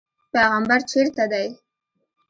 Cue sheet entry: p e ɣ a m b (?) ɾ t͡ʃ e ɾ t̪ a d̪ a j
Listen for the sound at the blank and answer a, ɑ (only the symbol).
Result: a